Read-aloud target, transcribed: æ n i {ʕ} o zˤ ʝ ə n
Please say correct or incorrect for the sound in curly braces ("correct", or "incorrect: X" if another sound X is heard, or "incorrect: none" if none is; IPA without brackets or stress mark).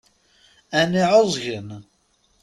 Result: correct